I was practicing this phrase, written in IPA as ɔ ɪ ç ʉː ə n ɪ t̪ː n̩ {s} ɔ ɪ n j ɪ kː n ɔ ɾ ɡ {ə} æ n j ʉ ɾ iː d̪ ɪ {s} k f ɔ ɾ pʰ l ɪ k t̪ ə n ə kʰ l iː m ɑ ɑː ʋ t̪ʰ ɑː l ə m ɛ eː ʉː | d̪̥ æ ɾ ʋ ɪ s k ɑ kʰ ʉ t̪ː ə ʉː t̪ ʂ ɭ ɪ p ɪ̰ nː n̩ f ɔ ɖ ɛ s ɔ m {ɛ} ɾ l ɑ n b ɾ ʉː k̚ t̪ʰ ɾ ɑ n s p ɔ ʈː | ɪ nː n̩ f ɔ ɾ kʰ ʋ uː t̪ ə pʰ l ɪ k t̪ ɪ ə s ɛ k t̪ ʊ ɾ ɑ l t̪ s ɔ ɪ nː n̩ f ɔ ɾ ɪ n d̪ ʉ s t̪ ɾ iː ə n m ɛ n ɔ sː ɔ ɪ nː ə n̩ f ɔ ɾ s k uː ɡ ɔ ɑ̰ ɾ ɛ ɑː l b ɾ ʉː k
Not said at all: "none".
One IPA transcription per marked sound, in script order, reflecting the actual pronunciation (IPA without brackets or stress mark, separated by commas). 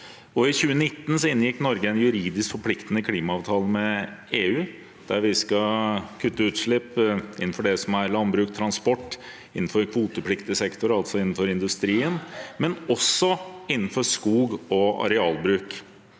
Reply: s, ə, s, æ